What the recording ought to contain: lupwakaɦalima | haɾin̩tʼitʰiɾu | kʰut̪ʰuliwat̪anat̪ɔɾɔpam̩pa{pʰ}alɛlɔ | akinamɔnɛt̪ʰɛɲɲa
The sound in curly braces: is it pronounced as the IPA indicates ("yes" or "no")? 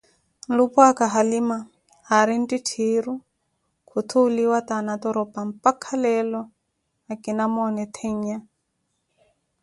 no